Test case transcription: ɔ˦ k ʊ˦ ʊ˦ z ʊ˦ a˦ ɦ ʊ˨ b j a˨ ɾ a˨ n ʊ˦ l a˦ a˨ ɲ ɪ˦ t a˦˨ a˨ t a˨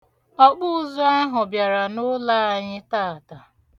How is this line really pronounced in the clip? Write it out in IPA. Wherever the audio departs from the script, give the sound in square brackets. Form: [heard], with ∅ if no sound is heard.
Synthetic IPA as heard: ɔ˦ [k͡p] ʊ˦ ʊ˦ z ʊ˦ a˦ ɦ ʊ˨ b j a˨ ɾ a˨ n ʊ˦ l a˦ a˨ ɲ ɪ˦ t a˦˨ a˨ t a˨